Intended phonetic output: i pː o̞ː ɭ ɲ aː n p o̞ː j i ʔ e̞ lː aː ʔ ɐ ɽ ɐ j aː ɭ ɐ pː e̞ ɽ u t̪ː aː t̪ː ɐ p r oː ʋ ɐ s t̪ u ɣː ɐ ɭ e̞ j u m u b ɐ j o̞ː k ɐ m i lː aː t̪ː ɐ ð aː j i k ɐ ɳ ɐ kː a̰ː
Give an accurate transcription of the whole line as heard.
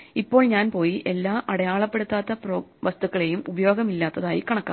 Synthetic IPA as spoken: i pː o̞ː ɭ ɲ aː n p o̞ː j i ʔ e̞ lː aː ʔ ɐ ɽ ɐ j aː ɭ ɐ pː e̞ ɽ u t̪ː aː t̪ː ɐ p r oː ʋ ɐ s t̪ u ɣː ɐ ɭ e̞ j u m u b ɐ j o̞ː ɡ ɐ m i lː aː t̪ː ɐ ð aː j i k ɐ ɳ ɐ kː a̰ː